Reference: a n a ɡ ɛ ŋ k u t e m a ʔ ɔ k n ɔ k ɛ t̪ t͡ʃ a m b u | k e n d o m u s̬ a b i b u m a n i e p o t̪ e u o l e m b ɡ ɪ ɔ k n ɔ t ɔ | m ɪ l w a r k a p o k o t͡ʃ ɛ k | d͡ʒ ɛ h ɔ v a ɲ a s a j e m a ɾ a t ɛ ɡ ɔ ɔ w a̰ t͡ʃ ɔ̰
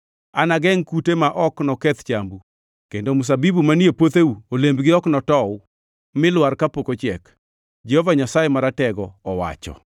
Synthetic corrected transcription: a n a ɡ ɛ ŋ k u t e m a ʔ ɔ k n ɔ k ɛ t̪ t͡ʃ a m b u | k e n d o m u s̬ a b i b u m a n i e p o t̪ e u o l e m b ɡ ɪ ɔ k n ɔ t ɔ | m ɪ l w a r k a p o k o t͡ʃ ɛ k | d͡ʒ ɛ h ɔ v a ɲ a s a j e m a ɾ a t ɛ ɡ ɔ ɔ w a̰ t͡ʃ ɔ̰